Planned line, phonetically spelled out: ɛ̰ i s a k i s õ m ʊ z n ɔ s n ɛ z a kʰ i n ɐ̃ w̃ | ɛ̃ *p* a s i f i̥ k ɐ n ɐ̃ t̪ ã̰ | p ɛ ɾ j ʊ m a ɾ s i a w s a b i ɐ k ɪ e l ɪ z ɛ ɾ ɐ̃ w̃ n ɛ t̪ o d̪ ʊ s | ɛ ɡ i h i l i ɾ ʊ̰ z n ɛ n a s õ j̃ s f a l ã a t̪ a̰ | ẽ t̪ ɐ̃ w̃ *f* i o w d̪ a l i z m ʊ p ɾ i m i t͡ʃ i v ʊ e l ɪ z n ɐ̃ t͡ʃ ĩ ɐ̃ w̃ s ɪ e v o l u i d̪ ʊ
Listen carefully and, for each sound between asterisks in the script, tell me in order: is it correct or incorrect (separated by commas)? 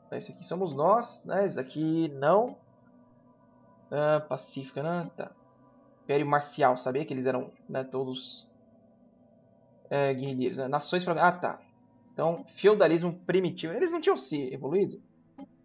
correct, correct